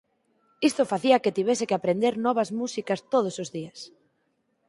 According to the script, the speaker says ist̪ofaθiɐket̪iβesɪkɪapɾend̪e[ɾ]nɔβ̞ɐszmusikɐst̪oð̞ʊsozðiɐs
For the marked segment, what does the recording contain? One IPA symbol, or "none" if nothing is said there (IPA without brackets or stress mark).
ɾ